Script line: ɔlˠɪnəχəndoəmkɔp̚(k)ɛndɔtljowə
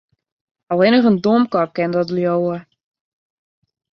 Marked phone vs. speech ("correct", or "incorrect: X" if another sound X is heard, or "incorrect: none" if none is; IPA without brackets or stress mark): correct